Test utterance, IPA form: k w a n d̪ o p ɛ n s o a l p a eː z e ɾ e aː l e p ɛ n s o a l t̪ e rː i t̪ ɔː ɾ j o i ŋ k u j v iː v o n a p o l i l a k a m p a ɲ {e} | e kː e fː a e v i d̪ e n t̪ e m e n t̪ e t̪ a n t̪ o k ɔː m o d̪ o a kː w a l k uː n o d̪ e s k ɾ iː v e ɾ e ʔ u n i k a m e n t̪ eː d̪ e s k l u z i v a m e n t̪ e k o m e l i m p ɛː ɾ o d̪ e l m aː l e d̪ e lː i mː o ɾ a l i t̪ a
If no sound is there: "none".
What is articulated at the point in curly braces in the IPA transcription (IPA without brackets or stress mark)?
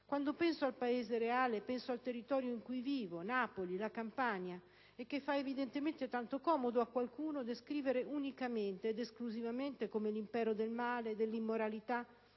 a